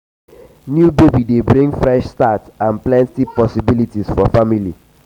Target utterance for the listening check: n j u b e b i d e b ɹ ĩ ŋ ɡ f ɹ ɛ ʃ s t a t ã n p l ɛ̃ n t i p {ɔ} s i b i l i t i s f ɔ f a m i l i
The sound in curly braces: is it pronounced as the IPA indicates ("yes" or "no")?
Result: yes